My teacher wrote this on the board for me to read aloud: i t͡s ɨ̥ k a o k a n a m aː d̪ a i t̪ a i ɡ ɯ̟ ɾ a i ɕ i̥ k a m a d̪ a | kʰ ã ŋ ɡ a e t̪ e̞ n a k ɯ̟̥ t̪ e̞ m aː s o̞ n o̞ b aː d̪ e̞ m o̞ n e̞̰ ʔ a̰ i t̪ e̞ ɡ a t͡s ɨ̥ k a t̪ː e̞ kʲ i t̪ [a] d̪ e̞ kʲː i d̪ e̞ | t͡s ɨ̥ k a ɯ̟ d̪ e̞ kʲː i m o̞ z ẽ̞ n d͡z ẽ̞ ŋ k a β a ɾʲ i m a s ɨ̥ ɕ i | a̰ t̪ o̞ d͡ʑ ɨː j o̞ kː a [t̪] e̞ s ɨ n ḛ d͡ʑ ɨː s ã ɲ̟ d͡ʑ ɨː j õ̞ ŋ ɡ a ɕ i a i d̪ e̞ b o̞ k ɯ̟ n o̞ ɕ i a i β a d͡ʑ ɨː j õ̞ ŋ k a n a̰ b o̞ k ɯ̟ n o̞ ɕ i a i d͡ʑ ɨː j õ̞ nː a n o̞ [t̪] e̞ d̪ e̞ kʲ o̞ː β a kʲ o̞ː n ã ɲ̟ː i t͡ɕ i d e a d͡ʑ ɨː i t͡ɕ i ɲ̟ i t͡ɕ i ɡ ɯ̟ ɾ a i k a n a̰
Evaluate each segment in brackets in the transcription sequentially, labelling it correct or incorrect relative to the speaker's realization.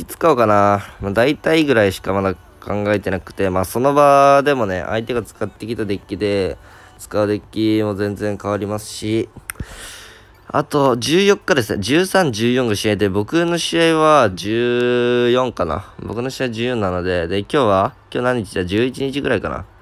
correct, incorrect: d̪, incorrect: d̪

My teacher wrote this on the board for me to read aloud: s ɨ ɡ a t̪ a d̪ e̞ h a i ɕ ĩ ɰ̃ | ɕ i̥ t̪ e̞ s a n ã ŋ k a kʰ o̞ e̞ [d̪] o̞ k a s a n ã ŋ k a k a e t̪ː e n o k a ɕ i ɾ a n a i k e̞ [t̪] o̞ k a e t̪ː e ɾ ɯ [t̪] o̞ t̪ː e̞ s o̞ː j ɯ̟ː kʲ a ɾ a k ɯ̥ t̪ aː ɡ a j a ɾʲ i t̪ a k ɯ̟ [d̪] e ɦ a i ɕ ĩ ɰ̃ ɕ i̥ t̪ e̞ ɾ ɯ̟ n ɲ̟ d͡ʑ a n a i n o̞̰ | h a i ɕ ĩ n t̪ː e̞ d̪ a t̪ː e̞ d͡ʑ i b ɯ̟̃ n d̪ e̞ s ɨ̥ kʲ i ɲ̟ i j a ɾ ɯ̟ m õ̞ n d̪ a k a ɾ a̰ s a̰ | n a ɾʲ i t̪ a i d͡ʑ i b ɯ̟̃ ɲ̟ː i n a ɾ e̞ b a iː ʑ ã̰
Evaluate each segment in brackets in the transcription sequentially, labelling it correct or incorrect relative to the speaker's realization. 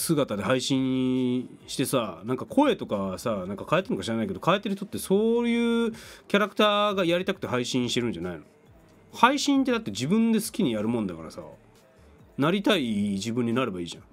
incorrect: t̪, incorrect: d̪, correct, incorrect: t̪

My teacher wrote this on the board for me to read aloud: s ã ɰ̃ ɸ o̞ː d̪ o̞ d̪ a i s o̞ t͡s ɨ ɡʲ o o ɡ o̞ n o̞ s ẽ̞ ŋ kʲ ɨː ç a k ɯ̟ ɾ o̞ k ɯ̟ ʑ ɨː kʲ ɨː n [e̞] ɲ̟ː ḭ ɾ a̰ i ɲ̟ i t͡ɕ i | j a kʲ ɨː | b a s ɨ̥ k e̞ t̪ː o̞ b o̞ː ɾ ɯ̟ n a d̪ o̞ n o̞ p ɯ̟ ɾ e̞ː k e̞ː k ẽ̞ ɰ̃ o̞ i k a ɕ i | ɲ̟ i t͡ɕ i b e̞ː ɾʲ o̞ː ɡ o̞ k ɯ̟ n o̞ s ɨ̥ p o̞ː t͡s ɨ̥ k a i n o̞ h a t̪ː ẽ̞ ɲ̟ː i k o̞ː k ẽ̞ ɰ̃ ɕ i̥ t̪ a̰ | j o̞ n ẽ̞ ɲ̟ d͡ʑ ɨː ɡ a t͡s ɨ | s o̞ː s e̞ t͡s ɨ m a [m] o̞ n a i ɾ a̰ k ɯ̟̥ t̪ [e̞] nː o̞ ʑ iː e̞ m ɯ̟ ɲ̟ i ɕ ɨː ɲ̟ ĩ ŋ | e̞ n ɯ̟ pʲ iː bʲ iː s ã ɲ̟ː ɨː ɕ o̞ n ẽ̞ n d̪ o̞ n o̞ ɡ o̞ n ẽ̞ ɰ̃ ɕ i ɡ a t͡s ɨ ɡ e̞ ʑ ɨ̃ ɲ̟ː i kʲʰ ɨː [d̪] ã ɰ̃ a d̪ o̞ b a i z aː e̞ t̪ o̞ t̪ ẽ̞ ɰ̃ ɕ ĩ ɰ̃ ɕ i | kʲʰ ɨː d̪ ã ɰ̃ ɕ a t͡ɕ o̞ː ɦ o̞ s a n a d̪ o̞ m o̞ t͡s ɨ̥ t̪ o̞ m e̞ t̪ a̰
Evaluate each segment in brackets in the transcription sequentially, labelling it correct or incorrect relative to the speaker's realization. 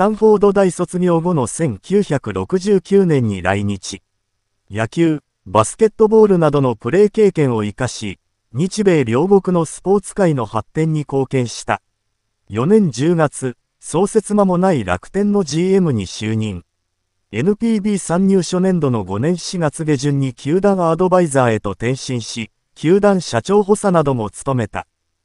incorrect: ẽ̞, correct, incorrect: ẽ̞, correct

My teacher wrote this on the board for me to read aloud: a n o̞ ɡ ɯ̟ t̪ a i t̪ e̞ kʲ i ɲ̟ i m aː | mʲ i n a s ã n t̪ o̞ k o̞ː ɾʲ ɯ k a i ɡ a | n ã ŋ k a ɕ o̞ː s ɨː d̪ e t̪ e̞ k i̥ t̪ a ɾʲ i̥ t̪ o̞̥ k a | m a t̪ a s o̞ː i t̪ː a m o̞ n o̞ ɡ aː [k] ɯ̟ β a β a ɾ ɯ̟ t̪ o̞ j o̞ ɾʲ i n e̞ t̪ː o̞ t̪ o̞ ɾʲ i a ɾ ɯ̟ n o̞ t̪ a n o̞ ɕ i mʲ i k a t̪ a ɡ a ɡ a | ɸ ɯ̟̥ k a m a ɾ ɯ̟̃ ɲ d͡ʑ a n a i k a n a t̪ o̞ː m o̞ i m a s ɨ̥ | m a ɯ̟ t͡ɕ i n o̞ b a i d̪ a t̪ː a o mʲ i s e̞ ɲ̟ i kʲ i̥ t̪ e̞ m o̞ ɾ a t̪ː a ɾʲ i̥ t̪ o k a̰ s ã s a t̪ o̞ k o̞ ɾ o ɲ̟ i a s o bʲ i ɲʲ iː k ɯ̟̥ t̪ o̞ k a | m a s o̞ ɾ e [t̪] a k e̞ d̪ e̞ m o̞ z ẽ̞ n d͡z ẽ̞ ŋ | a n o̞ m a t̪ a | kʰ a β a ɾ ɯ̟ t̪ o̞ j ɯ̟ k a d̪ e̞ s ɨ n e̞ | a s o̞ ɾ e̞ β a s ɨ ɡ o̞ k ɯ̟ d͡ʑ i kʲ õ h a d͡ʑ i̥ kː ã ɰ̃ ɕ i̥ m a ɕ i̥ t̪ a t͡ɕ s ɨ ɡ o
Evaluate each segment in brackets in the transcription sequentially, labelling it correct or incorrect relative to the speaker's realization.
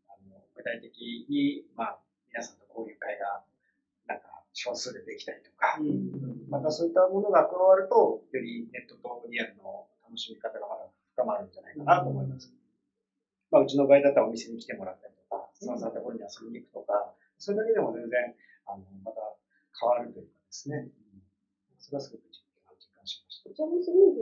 correct, incorrect: d̪

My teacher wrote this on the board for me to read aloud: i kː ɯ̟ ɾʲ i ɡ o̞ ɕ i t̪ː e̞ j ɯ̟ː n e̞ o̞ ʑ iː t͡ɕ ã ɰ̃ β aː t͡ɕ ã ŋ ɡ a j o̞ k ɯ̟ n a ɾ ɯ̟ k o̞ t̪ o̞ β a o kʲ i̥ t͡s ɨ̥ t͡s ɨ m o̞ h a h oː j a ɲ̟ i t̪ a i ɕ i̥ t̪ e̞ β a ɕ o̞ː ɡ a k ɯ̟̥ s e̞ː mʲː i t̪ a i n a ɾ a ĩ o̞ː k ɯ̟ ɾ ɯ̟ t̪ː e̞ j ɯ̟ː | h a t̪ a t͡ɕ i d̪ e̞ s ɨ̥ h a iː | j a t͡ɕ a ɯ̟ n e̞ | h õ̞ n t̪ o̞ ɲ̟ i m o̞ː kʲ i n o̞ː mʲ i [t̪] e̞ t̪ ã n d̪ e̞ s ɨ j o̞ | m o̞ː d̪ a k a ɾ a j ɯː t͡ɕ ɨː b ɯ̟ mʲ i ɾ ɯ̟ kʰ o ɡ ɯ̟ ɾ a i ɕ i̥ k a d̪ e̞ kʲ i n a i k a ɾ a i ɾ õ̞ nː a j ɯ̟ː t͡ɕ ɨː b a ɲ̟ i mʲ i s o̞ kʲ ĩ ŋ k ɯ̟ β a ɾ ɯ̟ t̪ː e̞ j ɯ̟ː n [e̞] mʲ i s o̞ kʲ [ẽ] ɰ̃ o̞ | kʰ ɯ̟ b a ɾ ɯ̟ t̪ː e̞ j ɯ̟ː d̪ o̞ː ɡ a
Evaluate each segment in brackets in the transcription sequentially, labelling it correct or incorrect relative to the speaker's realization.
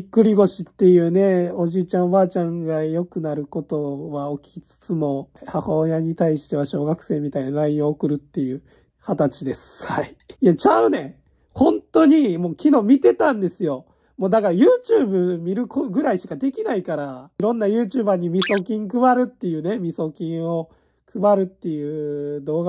correct, correct, incorrect: ĩ

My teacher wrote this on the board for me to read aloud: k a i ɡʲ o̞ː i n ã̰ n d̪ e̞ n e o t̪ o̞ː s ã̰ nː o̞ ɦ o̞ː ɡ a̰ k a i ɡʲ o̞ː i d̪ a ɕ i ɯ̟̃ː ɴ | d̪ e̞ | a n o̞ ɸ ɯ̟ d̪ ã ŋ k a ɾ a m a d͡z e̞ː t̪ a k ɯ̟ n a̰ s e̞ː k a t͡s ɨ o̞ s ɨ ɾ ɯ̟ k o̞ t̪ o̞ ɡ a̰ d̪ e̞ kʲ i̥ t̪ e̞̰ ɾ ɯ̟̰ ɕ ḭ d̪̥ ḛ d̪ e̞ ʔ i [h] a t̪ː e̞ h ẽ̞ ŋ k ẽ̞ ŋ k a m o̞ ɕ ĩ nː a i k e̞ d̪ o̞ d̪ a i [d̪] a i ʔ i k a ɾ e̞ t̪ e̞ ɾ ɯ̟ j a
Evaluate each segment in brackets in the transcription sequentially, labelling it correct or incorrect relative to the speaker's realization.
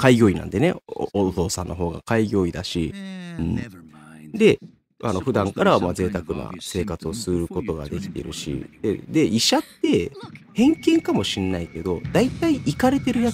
incorrect: ɕ, incorrect: t̪

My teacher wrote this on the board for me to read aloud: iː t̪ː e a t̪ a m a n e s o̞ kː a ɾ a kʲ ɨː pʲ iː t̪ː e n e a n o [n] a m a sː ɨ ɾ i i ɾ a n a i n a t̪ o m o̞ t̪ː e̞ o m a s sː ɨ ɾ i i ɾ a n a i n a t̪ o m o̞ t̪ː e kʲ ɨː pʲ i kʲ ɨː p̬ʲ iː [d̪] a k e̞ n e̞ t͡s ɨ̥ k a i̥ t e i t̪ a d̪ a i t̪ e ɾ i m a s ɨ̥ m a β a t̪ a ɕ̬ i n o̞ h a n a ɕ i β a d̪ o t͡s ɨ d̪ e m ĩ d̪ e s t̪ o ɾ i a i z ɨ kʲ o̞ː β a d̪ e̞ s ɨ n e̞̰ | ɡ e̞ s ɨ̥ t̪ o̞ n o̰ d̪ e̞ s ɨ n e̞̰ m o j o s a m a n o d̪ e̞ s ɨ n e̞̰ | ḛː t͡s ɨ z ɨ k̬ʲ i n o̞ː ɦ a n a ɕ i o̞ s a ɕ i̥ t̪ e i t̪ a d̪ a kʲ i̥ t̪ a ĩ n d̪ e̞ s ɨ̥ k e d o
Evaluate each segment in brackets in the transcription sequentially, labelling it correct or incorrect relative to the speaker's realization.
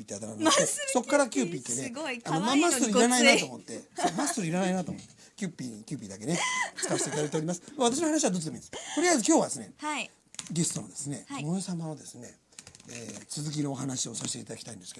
incorrect: m, correct

